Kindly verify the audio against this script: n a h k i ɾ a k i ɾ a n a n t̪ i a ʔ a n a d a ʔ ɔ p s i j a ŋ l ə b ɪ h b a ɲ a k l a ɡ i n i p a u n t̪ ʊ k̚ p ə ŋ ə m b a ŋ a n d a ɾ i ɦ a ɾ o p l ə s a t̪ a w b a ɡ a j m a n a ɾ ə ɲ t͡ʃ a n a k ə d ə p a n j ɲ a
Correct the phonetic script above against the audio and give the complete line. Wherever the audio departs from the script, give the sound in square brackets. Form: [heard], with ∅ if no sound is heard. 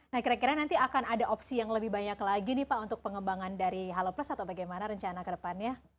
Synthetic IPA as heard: n a h k i ɾ a k i ɾ a n a n t̪ i a [k] a n a d a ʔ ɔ p s i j a ŋ l ə b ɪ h b a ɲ a k l a ɡ i n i p a u n t̪ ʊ k̚ p ə ŋ ə m b a ŋ a n d a ɾ i ɦ a [l] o p l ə s a t̪ a w b a ɡ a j m a n a ɾ ə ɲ t͡ʃ a n a k ə d ə p a n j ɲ a